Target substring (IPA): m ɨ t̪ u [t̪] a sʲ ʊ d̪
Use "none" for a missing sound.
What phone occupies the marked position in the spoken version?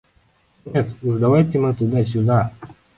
d̪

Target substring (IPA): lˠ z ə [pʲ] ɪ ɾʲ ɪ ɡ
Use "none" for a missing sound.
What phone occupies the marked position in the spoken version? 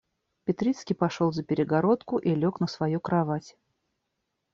pʲ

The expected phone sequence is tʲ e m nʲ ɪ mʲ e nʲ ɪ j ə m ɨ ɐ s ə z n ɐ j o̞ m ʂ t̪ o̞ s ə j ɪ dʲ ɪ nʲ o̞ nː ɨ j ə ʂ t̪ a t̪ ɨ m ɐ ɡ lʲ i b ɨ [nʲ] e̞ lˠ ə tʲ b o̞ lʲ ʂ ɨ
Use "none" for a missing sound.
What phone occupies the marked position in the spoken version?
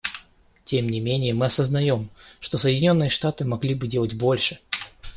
dʲ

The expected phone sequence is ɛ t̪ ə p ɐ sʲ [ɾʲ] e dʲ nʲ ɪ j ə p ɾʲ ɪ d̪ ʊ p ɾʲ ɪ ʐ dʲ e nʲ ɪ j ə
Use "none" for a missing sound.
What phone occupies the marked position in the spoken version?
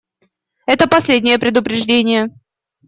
lʲ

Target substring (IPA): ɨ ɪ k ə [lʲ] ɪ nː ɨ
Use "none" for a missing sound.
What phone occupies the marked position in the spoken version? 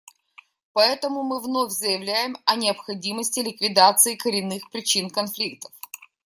ɾʲ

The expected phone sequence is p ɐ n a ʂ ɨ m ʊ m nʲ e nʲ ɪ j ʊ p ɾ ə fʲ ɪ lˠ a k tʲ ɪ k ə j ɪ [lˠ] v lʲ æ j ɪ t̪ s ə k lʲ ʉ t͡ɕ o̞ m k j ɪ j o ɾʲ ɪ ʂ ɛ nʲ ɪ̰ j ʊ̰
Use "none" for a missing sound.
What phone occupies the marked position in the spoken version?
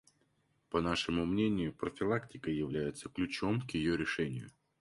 none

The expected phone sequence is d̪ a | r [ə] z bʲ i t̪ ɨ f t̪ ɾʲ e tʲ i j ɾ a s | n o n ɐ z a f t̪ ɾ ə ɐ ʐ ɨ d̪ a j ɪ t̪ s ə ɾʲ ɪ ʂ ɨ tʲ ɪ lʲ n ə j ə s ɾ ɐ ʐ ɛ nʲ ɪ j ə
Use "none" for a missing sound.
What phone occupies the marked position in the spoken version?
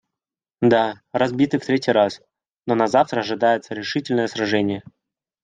ɐ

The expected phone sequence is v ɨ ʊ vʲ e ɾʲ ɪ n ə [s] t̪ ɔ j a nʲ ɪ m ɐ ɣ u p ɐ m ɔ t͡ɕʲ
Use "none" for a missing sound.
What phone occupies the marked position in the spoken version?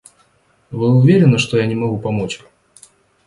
ʂ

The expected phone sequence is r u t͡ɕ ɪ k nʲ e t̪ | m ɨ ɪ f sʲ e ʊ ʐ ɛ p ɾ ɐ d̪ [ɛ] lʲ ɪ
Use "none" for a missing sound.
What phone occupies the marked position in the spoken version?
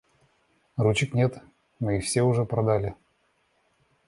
a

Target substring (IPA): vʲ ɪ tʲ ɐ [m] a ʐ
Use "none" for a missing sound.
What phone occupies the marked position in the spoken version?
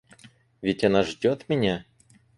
n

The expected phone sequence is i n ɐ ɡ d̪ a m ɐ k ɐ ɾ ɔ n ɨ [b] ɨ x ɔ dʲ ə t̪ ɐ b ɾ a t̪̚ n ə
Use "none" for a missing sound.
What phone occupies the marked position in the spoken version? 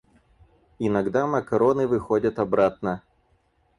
v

